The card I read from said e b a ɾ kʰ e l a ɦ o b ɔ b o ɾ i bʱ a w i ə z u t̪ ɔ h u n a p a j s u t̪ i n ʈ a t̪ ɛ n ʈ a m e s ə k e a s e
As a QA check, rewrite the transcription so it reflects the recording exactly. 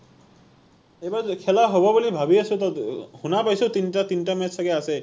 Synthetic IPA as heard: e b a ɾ kʰ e l a ɦ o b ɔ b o l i bʱ a b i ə s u t̪ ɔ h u n a p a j s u t̪ i n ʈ a t̪ i n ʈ a m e s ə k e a s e